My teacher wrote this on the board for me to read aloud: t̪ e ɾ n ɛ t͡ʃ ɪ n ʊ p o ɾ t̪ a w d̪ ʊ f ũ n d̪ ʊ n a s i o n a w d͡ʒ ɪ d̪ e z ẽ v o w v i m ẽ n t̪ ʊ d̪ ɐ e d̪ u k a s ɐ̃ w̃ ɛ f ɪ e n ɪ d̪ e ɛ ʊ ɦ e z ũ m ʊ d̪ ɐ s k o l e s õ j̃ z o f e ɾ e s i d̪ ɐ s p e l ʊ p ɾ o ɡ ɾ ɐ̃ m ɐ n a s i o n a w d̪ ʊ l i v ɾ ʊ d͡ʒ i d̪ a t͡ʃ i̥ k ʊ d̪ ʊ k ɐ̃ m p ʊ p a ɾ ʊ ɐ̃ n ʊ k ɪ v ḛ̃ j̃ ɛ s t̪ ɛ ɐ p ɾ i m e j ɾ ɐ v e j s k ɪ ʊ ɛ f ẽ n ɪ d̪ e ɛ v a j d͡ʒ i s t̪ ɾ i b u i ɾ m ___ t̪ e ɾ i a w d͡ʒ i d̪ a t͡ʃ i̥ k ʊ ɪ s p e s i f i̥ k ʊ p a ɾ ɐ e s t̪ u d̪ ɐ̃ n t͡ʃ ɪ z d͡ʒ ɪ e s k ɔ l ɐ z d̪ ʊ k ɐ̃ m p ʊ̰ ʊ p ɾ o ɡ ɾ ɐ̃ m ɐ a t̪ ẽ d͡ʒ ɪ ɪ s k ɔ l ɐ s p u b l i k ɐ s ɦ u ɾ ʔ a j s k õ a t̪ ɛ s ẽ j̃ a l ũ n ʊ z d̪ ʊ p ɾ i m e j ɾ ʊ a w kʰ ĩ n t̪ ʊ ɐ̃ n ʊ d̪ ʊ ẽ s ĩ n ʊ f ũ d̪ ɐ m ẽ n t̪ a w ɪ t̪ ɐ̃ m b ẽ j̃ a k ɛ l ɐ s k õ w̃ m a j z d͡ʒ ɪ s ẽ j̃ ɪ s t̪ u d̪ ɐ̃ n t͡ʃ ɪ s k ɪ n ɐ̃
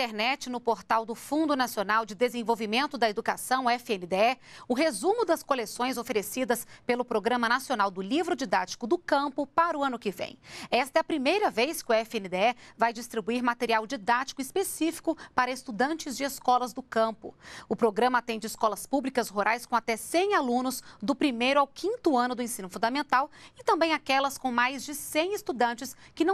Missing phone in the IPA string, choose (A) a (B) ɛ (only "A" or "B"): A